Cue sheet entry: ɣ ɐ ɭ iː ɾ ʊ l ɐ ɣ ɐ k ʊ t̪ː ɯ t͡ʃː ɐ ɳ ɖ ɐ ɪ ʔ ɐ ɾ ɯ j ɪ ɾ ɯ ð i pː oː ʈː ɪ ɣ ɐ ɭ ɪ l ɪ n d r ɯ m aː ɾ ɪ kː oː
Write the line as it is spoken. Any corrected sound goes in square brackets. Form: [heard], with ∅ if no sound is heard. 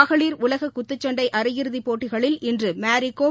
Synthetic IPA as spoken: ɣ ɐ ɭ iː ɾ ʊ l ɐ ɣ ɐ k ʊ t̪ː ɯ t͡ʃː ɐ ɳ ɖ ɐ ɪ ʔ ɐ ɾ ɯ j ɪ ɾ ɯ ð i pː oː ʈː ɪ ɣ ɐ ɭ ɪ l ɪ n d r ɯ m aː ɾ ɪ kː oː